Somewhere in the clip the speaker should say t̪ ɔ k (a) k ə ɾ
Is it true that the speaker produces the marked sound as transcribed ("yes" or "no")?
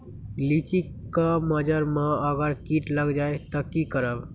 no